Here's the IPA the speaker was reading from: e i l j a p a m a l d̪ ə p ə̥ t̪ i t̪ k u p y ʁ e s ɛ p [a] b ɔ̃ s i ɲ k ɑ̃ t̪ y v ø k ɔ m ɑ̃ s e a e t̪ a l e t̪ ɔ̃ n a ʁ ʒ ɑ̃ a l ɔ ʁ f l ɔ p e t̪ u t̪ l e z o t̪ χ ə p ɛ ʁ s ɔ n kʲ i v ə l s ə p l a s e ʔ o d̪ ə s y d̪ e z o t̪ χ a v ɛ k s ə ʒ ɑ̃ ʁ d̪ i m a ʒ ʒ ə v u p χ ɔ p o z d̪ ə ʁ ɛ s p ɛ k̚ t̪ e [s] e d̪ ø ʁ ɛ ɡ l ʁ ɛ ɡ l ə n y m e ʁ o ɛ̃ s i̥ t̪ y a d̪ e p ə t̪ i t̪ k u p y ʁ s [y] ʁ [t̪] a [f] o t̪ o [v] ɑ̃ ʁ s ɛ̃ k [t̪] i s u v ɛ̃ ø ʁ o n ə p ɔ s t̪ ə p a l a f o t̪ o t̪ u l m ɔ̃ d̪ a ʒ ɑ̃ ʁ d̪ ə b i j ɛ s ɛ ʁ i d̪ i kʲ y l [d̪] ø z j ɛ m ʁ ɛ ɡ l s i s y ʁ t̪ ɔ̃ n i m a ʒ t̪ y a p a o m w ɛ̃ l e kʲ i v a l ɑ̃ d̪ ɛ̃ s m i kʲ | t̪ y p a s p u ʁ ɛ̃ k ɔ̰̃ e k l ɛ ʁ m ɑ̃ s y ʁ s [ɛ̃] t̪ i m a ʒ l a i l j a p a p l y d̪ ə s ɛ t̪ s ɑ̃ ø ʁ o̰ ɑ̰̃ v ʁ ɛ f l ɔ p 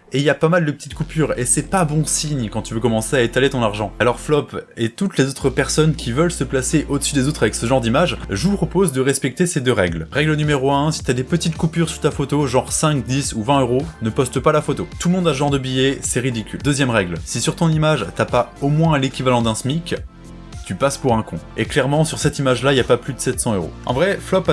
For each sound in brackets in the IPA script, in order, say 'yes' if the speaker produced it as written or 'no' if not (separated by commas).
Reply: yes, yes, yes, yes, yes, no, no, yes, no